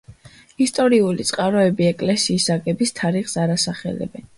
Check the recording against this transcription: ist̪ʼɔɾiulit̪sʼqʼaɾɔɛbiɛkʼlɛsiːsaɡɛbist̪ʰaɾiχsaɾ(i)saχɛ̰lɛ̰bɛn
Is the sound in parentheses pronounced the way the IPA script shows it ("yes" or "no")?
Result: no